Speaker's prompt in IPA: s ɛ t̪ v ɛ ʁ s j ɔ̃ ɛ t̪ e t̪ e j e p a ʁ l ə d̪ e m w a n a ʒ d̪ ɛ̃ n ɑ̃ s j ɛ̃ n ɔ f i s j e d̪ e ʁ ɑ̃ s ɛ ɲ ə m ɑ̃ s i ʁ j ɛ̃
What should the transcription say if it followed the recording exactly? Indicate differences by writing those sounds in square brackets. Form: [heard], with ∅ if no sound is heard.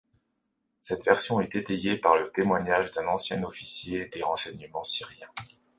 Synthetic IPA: s ɛ t̪ v ɛ ʁ s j ɔ̃ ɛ t̪ e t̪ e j e p a ʁ l ə [t̪] e m w a [ɲ] a ʒ d̪ ɛ̃ n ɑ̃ s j ɛ̃ n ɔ f i s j e d̪ e ʁ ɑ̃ s ɛ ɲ ə m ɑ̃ s i ʁ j ɛ̃